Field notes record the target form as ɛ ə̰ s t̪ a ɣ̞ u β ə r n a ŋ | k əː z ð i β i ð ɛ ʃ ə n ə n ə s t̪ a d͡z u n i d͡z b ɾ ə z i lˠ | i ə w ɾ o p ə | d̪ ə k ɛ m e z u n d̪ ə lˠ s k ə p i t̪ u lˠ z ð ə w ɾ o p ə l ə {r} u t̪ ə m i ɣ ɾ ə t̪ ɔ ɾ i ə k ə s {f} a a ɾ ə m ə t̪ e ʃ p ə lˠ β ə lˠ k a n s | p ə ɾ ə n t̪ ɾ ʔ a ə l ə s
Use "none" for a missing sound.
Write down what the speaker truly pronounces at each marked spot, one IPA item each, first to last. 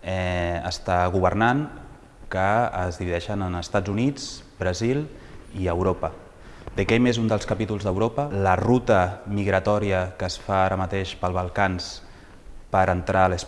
r, f

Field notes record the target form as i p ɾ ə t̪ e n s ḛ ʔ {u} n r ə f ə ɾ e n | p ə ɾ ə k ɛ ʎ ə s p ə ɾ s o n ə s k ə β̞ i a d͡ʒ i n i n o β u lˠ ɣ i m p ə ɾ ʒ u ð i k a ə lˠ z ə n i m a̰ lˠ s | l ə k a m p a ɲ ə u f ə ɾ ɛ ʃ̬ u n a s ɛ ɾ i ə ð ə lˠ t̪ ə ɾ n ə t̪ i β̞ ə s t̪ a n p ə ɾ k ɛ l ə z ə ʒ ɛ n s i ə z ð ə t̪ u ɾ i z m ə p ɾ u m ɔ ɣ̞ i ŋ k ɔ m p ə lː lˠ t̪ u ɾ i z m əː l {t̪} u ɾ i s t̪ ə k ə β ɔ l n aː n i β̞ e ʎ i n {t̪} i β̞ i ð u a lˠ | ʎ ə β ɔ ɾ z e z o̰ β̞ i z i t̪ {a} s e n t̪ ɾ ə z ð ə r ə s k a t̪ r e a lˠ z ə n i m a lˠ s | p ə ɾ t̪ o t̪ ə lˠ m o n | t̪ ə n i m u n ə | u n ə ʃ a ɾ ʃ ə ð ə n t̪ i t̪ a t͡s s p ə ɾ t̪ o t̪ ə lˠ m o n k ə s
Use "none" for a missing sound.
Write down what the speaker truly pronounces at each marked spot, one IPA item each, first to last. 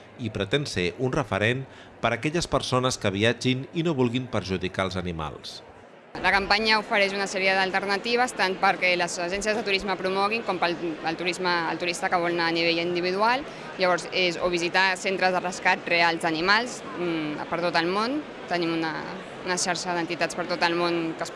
u, t̪, d̪, a

